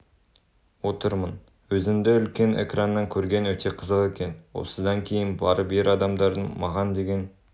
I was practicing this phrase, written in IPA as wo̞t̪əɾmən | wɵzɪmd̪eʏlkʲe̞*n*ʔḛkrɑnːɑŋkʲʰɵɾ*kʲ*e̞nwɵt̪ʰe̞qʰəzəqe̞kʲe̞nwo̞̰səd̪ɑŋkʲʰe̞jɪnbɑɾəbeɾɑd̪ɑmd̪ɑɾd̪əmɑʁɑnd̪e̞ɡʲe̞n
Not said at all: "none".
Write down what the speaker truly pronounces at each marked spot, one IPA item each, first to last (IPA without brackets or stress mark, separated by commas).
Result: n, ɡʲ